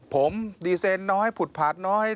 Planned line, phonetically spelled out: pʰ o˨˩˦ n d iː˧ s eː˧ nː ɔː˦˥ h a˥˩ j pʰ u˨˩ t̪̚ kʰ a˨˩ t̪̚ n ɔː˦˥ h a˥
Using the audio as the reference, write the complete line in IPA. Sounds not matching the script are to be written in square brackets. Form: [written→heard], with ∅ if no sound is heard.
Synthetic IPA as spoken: pʰ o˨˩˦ [n→m] d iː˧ s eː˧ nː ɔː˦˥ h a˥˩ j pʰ u˨˩ t̪̚ [kʰ→pʰ] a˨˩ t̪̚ n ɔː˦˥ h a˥